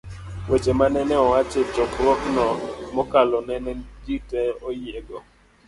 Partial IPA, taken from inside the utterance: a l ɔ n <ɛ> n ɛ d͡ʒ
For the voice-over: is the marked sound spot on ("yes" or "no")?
yes